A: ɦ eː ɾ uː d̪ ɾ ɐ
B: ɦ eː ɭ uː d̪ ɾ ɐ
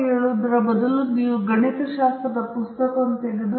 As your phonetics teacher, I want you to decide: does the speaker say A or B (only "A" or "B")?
B